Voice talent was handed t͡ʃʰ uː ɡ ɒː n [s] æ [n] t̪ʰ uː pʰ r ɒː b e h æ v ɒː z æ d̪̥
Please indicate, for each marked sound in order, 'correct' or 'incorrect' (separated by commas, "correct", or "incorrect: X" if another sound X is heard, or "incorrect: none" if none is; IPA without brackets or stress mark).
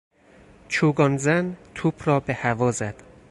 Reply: incorrect: z, correct